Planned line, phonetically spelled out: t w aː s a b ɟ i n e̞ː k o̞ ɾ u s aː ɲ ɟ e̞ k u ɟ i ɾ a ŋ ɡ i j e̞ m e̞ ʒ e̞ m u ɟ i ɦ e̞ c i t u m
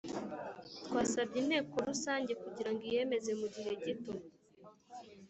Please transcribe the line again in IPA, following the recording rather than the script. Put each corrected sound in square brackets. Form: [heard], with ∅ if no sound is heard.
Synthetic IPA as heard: t w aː s a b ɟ i n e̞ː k o̞ ɾ u s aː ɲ ɟ e̞ k u ɟ i ɾ a ŋ ɡ i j e̞ m e̞ [z] e̞ m u ɟ i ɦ e̞ [ɟ] i t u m